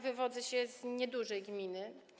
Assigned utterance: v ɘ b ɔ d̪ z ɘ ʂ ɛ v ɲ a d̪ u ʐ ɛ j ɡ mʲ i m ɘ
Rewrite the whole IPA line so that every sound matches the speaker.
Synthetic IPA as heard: v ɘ v ɔ d̪ z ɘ ɕ ɛ z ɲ ɛ d̪ u ʐ ɛ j ɡ mʲ i n ɘ